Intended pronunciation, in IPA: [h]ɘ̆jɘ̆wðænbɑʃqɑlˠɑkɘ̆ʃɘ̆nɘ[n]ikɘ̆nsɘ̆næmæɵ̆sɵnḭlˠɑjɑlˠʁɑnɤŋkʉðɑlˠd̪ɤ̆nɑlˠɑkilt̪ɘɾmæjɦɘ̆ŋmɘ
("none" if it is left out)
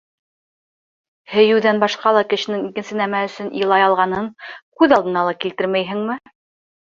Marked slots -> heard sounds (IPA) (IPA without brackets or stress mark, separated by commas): h, ŋ